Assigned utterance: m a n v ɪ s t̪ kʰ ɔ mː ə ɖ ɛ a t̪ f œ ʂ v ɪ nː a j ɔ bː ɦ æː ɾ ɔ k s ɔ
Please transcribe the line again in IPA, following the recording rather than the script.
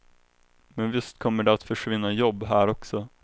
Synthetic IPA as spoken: m ɛ n v ɪ s t̪ kʰ ɔ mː ə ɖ ɛ a t̪ f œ ʂ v ɪ nː a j ɔ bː ɦ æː ɾ ɔ k s ɔ